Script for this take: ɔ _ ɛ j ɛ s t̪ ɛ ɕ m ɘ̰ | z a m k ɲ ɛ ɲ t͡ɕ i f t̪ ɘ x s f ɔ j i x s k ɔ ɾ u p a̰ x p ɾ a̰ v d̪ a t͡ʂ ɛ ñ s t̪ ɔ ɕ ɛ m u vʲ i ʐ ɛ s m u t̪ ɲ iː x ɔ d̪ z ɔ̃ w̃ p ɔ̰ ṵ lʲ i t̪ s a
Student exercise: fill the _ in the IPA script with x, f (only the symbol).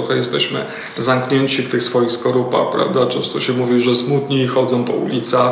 x